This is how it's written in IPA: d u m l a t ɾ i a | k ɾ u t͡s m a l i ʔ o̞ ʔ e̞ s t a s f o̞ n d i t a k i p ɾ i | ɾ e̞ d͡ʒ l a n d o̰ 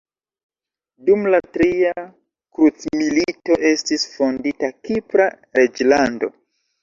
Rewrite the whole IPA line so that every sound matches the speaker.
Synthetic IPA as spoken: d u m l a t ɾ i a | k ɾ u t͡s m i l i t o̞ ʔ e̞ s t i s f o̞ n d i t a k i p ɾ a | ɾ e̞ d͡ʒ l a n d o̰